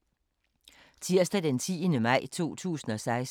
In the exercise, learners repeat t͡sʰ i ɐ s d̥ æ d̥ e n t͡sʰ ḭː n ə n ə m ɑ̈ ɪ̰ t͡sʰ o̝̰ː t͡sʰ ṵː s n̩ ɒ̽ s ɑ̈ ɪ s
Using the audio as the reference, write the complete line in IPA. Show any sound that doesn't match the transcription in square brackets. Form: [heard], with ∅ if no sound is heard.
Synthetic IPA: t͡sʰ i ɐ s d̥ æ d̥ e n t͡sʰ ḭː [∅] ə n ə m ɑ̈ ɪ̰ t͡sʰ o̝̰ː t͡sʰ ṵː s n̩ ɒ̽ s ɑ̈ ɪ s